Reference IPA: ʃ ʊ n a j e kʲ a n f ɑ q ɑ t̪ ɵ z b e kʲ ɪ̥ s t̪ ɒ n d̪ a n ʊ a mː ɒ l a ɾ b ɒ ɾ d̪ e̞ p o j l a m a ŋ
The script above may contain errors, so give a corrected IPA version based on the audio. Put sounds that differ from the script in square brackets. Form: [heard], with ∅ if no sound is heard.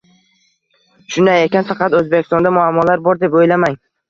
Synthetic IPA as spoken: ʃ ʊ n a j e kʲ a n f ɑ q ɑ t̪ ɵ z b e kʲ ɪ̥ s t̪ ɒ n d̪ a [m] ʊ a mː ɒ l a ɾ b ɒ ɾ d̪ e̞ p o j l a m a ŋ